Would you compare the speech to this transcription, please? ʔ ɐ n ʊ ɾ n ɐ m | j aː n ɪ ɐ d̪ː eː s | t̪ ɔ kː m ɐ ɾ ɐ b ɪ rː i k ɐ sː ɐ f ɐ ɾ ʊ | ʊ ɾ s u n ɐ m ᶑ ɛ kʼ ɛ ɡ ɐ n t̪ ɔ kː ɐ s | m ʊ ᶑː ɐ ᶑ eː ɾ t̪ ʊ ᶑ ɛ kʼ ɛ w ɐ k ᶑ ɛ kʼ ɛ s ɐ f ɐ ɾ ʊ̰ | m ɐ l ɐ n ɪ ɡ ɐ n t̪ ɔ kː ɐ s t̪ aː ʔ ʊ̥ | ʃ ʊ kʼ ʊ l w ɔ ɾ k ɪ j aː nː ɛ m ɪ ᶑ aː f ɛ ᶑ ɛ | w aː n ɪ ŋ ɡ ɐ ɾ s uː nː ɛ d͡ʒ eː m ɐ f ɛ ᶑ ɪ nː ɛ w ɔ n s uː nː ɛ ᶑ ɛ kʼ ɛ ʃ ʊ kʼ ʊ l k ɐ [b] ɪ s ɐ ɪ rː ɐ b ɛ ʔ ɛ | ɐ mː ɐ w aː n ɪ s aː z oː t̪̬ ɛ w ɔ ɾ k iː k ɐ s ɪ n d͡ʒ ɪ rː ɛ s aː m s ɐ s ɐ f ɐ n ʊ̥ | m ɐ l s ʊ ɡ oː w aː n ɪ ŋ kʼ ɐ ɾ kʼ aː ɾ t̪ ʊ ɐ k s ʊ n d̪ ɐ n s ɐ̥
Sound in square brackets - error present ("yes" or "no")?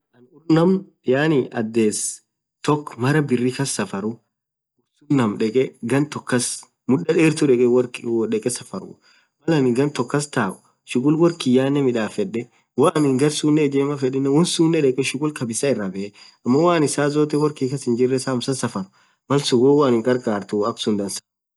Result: no